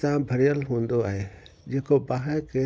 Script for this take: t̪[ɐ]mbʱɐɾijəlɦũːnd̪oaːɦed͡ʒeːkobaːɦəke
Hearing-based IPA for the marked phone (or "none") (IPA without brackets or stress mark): a